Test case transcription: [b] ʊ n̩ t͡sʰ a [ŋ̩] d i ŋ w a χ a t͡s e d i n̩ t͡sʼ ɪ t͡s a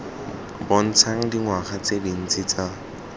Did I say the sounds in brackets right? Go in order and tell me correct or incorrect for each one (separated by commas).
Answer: correct, correct